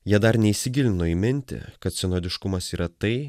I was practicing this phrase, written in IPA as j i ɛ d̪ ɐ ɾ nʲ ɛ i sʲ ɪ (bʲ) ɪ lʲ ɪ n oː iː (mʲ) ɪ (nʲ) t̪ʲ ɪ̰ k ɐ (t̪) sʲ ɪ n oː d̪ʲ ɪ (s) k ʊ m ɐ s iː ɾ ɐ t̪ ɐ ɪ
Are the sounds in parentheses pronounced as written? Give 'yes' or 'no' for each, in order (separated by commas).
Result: no, yes, yes, yes, no